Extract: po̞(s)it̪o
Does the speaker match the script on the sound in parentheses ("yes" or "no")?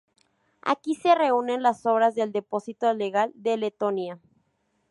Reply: yes